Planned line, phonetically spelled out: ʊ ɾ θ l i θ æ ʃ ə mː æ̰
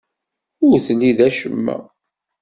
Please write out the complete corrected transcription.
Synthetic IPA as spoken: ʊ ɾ θ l i ð æ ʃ ə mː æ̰